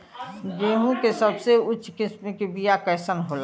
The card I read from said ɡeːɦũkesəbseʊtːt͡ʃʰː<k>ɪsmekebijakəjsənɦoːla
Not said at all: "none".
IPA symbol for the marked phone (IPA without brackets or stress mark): k